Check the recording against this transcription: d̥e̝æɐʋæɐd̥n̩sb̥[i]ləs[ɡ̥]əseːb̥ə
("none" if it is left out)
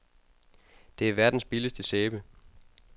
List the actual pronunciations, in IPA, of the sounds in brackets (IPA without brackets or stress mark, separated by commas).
i, d̥